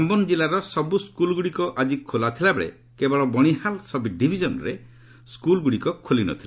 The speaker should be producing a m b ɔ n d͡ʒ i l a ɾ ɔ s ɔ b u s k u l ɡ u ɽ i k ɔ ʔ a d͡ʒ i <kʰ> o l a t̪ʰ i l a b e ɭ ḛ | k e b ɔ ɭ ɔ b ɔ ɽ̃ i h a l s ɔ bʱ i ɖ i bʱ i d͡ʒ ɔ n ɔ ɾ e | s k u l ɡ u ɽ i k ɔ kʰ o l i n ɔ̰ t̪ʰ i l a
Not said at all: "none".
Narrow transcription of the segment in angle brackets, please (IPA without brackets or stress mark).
kʰ